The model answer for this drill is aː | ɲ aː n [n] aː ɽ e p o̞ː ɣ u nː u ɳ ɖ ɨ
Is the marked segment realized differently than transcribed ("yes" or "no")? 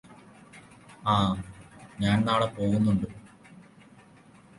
no